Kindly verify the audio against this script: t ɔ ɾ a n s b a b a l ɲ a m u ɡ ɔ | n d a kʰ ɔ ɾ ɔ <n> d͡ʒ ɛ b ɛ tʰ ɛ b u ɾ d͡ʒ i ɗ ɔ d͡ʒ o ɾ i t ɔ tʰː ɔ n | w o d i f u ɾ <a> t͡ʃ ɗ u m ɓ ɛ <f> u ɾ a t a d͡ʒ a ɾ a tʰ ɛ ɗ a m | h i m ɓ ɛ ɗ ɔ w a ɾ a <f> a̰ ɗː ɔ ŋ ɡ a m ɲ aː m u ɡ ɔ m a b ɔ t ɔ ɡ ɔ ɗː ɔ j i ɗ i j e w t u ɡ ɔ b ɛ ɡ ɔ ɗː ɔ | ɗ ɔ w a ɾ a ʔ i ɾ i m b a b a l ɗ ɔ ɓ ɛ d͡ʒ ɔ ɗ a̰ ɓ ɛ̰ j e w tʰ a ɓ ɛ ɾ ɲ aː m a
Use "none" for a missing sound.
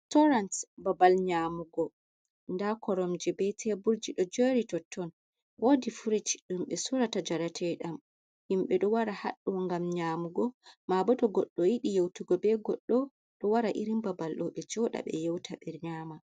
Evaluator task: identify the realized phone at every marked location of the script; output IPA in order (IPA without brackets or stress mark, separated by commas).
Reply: m, i, s, h